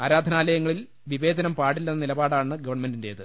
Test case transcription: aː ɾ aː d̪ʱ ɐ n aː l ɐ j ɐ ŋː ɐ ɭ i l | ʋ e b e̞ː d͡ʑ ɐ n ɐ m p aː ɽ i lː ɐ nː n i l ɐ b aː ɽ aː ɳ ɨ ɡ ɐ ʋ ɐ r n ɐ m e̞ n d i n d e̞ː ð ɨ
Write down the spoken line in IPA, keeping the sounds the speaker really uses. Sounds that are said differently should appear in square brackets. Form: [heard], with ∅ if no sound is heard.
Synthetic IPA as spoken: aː ɾ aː d̪ʱ ɐ n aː l ɐ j ɐ ŋː ɐ ɭ i l | ʋ [i] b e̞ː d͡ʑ ɐ n ɐ m p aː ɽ i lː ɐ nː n i l ɐ b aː ɽ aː ɳ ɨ ɡ ɐ ʋ ɐ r [ɳ] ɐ m e̞ n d i n d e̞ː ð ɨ